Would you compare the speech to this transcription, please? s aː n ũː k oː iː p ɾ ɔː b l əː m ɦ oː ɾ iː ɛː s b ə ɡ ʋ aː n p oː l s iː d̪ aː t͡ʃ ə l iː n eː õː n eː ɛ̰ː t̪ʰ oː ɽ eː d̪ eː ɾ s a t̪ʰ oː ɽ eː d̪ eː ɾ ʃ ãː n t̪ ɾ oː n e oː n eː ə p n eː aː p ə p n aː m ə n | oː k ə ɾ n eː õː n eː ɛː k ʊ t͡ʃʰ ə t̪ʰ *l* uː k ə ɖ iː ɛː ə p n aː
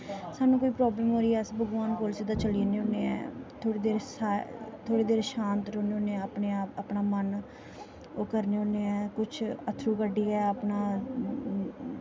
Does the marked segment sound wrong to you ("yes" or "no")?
yes